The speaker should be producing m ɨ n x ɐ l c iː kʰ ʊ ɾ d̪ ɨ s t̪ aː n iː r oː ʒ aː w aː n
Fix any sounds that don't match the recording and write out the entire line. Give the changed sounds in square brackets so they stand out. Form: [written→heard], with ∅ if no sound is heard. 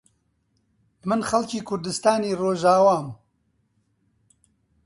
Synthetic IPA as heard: m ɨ n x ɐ l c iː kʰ ʊ ɾ d̪ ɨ s t̪ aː n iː r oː ʒ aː w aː [n→m]